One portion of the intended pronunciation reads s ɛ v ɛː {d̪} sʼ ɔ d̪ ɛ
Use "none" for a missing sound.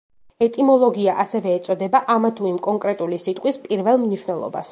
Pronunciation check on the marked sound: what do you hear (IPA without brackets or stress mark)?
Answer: t̪